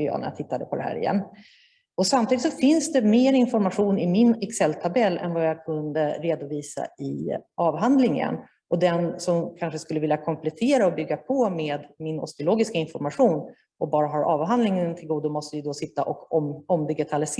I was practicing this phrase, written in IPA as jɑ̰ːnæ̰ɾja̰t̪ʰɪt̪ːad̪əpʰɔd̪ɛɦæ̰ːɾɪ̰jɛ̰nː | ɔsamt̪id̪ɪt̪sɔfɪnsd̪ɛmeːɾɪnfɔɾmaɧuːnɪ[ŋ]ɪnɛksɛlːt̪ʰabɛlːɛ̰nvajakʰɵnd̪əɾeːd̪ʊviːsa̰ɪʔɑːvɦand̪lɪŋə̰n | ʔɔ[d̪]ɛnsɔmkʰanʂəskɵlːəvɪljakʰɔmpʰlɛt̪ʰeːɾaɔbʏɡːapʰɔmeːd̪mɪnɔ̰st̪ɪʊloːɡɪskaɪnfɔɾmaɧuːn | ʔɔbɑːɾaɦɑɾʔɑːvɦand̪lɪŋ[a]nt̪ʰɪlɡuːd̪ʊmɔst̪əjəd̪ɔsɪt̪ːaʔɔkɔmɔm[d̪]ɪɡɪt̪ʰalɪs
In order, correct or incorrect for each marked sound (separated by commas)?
incorrect, correct, incorrect, correct